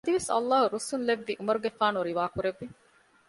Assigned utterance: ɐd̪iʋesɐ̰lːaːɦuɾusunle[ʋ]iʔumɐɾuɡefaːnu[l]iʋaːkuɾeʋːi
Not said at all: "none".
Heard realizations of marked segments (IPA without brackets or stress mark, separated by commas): ʋː, ɾ